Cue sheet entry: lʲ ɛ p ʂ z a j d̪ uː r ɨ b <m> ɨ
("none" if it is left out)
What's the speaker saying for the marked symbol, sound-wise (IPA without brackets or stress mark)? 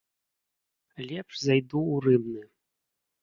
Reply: n